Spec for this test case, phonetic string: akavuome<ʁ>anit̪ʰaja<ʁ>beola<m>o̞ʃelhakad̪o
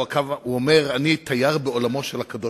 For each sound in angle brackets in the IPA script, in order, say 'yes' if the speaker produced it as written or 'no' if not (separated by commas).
yes, yes, yes